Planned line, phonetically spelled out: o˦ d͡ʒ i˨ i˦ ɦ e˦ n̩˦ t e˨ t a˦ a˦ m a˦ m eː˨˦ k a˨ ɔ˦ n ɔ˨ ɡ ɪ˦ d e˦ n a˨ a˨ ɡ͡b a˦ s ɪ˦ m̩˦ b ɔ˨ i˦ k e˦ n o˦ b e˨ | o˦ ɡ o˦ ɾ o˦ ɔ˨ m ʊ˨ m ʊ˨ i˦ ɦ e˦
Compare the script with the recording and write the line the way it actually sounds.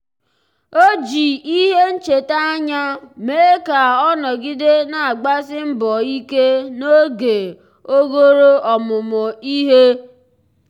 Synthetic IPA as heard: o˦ d͡ʒ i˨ i˦ ɦ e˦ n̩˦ t͡ʃ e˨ t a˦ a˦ ɲ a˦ m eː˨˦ k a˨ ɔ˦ n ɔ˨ ɡ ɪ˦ d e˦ n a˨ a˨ ɡ͡b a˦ s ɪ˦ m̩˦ b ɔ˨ i˦ k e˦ n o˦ ɡ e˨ | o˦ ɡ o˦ ɾ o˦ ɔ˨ m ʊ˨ m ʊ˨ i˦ ɦ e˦